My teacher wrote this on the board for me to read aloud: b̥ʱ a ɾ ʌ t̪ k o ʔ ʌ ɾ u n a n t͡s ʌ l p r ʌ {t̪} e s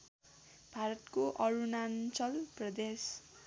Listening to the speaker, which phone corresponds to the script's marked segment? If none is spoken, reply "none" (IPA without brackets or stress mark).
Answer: d̪